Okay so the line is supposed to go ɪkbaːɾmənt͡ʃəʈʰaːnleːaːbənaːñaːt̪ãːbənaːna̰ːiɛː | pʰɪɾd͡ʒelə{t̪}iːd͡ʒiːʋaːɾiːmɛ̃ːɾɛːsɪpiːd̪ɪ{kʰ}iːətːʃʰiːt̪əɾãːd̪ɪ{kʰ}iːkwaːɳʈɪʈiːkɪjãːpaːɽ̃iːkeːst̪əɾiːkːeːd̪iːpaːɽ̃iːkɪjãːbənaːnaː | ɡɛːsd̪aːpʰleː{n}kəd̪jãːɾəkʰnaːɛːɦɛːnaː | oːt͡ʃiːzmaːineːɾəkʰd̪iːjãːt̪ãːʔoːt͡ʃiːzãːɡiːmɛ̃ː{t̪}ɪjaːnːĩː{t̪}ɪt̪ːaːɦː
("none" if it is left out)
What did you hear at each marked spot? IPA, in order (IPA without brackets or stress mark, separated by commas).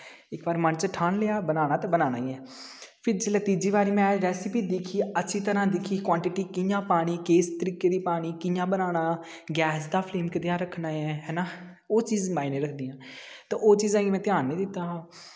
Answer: t̪, kʰ, kʰ, m, t̪, d̪